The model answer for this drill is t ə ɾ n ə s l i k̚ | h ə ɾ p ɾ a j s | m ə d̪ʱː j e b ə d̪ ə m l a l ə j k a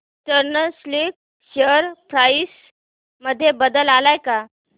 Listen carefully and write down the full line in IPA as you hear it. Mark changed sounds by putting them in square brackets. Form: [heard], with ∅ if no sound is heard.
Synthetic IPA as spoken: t ə ɾ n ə s l i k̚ | [ɕ] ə ɾ p ɾ a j s | m ə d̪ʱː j e b ə d̪ ə [∅] l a l [a] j k a